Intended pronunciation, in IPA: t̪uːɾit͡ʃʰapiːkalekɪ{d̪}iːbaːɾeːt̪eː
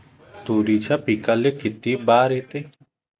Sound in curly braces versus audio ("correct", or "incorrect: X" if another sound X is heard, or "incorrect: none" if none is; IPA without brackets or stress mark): incorrect: t̪